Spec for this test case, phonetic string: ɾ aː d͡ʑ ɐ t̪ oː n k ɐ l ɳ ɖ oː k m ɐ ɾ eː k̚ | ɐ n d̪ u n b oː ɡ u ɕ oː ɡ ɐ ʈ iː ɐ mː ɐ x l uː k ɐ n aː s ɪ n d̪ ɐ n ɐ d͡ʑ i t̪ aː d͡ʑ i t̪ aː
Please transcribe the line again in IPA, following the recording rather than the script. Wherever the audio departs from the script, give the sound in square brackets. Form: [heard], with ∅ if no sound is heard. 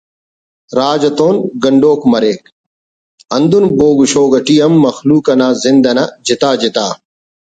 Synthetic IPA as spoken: ɾ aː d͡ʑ ɐ t̪ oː n [ɡ] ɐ [∅] ɳ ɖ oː k m ɐ ɾ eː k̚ | ɐ n d̪ u n b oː ɡ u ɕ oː ɡ ɐ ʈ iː ɐ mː ɐ x l uː k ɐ n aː [z] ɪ n d̪ ɐ n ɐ d͡ʑ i t̪ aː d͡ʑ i t̪ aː

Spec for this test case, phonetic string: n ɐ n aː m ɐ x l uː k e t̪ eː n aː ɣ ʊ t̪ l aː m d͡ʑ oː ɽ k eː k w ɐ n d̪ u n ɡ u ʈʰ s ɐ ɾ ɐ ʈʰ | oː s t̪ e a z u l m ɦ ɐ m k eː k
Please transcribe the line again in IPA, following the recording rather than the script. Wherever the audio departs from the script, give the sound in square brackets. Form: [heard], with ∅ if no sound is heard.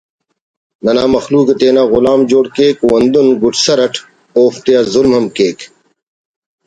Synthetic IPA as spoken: n ɐ n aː m ɐ x l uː k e t̪ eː n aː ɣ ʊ [∅] l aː m d͡ʑ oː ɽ k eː k w ɐ n d̪ u n ɡ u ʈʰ s ɐ ɾ ɐ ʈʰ | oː [f] t̪ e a z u l m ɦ ɐ m k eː k

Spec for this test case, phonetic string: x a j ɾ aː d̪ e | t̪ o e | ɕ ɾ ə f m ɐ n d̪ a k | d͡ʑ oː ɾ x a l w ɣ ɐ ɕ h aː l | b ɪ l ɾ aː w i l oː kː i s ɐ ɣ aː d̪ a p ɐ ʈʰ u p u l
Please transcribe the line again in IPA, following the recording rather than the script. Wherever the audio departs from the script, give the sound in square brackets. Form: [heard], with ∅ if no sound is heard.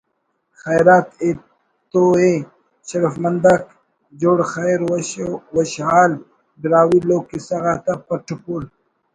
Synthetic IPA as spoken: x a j ɾ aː [t̪] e | t̪ o e | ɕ ɾ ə f m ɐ n d̪ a k | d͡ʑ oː [ɽ] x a [ɾ] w [w] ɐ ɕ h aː l | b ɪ [∅] ɾ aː w i l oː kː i s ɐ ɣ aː [t̪] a p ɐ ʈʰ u p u l

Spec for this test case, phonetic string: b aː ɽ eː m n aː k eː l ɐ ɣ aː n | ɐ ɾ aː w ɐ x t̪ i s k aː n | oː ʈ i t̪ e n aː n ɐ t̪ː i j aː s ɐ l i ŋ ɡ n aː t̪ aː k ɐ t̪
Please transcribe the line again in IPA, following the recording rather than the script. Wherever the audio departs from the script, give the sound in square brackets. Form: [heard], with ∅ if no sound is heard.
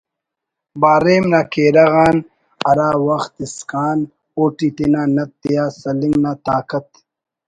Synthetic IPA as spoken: b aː [ɾ] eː m n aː k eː [ɾ] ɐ ɣ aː n | ɐ ɾ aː w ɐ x t̪ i s k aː n | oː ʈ i t̪ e n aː n ɐ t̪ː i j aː s ɐ l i ŋ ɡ n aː t̪ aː k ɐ t̪

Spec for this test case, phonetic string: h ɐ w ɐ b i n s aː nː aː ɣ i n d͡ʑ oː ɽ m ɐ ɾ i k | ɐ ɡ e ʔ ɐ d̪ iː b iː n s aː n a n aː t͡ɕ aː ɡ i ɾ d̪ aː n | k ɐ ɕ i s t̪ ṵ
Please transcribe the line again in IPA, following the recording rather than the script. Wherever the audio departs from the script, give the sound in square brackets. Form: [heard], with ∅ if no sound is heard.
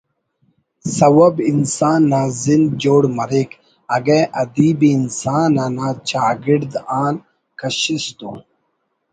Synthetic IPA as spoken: [s] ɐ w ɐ b i n s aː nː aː [z] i n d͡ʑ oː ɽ m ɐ ɾ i k | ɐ ɡ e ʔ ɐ d̪ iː b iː n s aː n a n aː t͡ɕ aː ɡ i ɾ d̪ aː n | k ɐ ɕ i s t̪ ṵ

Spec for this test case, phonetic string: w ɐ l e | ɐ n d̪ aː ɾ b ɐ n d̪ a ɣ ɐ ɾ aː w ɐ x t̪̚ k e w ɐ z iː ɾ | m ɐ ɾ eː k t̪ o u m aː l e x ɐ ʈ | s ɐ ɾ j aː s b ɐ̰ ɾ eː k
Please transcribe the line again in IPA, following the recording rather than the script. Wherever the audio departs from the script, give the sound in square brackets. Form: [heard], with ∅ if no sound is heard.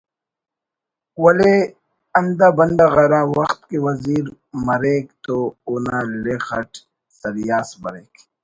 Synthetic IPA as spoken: w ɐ l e | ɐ n d̪ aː [∅] b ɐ n d̪ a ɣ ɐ ɾ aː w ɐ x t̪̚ k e w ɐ z iː ɾ | m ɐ ɾ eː k t̪ o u [n] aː l e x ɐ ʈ | s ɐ ɾ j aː s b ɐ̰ ɾ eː k

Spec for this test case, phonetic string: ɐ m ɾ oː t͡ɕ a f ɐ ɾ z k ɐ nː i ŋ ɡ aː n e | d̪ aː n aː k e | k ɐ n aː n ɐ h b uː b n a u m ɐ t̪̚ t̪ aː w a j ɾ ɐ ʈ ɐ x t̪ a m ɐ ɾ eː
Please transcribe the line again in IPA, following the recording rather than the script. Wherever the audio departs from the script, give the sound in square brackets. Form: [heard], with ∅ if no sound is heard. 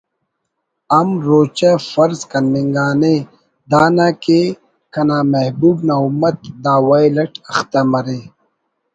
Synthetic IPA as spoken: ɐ m ɾ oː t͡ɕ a f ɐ ɾ z k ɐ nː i ŋ ɡ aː n e | d̪ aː n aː k e | k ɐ n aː [m] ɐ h b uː b n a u m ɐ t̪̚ [d̪] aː w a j [l] ɐ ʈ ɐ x t̪ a m ɐ ɾ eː

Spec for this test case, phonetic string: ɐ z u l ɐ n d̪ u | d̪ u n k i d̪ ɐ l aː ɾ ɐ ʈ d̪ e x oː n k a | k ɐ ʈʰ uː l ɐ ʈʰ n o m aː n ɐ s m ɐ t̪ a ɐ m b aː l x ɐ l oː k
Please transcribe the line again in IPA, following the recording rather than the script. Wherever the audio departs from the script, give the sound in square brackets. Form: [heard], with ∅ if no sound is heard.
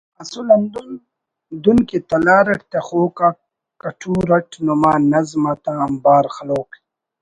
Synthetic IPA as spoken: ɐ [s] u l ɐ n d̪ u | d̪ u n k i [t̪] ɐ l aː ɾ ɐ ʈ [t̪] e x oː [∅] k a | k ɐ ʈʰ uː [ɾ] ɐ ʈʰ n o m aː n ɐ [z] m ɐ t̪ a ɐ m b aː [ɾ] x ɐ l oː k

